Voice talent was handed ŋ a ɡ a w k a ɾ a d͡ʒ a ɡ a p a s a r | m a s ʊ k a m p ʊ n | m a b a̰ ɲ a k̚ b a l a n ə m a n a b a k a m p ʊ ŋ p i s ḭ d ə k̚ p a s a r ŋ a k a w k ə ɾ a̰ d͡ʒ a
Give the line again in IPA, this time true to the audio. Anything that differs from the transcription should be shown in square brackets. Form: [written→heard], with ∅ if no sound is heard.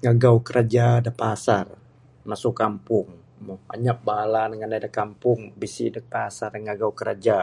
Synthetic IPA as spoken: ŋ a ɡ a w k [a→ə] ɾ a d͡ʒ a [ɡ→d] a p a s a r | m a s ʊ k a m p ʊ [n→ŋ] | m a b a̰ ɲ a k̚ b a l a n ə [m→ŋ] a n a [b→d] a k a m p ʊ ŋ [p→b] i s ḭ d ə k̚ p a s a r ŋ a [k→ɡ] a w k ə ɾ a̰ d͡ʒ a